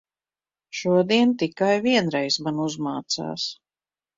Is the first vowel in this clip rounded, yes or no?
yes